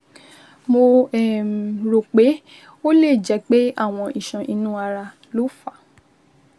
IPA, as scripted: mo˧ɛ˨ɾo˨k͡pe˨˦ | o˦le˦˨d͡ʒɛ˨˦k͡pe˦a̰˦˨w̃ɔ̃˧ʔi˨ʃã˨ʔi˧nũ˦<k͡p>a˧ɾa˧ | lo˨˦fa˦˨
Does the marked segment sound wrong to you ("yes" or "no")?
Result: yes